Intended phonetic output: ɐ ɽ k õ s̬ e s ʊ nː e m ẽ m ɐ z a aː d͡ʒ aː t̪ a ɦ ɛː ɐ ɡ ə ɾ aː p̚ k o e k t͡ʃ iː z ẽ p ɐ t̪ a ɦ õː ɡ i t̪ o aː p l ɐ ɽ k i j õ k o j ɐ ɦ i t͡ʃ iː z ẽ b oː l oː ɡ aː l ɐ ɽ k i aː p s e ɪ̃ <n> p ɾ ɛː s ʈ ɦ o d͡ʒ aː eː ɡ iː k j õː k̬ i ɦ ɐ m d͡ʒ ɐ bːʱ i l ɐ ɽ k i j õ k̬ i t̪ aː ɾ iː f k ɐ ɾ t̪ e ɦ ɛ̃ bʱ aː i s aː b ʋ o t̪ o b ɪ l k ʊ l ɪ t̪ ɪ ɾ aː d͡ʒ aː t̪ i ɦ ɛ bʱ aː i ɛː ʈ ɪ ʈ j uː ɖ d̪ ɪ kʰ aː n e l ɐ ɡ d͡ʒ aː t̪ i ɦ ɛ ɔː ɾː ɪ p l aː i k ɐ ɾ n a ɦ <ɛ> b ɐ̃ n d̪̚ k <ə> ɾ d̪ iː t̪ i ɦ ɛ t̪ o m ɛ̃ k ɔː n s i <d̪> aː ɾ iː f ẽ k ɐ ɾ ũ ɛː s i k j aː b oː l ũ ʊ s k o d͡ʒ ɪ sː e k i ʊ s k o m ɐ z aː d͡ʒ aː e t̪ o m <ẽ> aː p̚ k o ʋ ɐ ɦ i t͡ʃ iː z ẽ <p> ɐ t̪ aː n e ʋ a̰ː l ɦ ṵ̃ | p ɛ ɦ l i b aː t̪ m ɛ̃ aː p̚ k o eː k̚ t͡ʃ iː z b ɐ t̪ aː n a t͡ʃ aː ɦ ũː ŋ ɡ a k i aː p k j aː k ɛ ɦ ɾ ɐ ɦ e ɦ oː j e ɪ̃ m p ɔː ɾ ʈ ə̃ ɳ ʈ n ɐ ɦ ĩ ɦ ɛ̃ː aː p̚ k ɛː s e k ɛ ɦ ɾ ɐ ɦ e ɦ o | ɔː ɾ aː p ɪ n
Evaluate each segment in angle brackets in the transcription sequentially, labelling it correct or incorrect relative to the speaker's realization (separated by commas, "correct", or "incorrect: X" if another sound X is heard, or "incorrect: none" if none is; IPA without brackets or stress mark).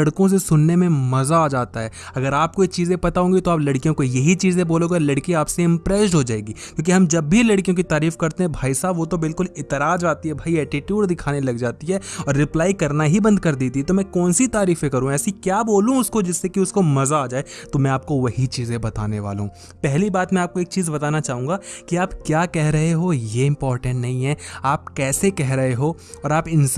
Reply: incorrect: m, incorrect: i, incorrect: ɐ, incorrect: t̪, incorrect: ɛ̃, incorrect: b